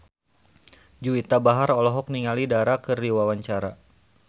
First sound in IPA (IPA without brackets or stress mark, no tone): d͡ʒ